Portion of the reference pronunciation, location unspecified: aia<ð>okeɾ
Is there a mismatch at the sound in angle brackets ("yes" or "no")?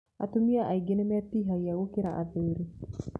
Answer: yes